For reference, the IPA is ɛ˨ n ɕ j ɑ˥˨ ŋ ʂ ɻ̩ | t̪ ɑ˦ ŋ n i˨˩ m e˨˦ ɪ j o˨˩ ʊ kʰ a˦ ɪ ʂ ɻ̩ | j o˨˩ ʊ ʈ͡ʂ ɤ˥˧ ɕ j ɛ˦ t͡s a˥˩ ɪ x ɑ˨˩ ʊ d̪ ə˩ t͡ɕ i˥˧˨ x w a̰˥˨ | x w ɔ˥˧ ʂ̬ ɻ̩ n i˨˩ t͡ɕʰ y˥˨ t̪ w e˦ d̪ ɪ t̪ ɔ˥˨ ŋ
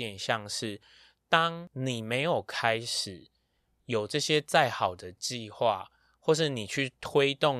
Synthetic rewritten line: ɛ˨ n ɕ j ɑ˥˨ ŋ ʂ ɻ̩ | t̪ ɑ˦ ŋ n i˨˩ m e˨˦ ɪ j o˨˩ ʊ kʰ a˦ ɪ ʂ ɻ̩ | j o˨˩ ʊ ʈ͡ʂ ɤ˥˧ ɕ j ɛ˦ t͡s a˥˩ ɪ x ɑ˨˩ ʊ d̪ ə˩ t͡ɕ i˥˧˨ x w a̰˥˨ | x w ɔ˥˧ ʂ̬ ɻ̩ n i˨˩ t͡ɕʰ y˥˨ t̪ʰ w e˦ ɪ t̪ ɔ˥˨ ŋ